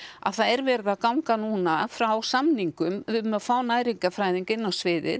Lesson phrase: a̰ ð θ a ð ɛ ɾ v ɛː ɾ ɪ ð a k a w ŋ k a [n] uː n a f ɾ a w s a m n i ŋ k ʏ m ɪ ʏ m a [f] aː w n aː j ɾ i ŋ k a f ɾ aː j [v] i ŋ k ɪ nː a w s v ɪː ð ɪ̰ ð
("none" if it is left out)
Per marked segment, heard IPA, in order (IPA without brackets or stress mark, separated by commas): n, f, ð